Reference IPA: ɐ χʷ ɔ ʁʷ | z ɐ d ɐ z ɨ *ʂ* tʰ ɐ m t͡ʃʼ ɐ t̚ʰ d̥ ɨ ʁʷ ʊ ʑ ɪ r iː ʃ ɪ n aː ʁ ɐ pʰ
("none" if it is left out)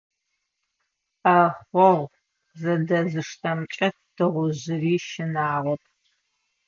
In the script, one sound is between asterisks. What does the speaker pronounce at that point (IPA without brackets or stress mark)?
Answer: ʂ